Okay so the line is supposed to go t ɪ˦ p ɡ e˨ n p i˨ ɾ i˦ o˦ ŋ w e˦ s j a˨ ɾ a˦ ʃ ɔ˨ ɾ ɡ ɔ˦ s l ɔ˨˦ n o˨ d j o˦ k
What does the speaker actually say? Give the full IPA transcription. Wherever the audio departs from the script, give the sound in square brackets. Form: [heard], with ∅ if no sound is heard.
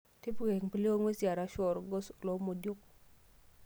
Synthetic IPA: t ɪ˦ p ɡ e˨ [ŋ] p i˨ [l] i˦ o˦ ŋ w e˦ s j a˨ ɾ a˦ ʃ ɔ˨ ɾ ɡ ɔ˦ s l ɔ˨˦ [m] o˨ d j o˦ k